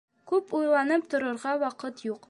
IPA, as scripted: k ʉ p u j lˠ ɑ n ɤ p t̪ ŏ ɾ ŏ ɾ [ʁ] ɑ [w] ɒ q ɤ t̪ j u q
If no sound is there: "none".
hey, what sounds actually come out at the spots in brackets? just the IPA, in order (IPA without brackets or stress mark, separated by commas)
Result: ʁ, w